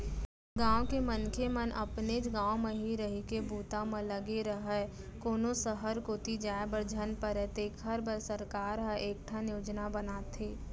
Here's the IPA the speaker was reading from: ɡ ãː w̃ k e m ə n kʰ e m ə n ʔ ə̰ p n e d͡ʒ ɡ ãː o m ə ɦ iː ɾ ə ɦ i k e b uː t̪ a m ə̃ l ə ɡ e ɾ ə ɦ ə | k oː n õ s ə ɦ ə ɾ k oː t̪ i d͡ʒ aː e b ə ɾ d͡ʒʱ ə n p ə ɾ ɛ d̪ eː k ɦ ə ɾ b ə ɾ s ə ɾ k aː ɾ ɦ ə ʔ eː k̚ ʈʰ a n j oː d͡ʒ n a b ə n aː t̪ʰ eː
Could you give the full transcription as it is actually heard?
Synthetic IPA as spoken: ɡ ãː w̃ k e m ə n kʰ e m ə n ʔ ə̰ p n e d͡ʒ ɡ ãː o m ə ɦ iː ɾ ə ɦ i k e b uː t̪ a m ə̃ l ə ɡ e ɾ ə ɦ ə | k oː n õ s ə ɦ ə ɾ k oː t̪ i d͡ʒ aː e b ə ɾ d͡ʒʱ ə n p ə ɾ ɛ t̪ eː k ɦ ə ɾ b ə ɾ s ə ɾ k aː ɾ ɦ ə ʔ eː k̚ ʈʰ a n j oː d͡ʒ n a b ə n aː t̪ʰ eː